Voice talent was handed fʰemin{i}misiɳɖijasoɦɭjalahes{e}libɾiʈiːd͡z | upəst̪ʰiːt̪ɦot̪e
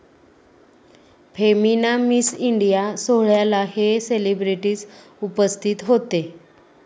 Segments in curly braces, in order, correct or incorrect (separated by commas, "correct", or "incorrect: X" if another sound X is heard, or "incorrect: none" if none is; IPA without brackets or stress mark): incorrect: a, correct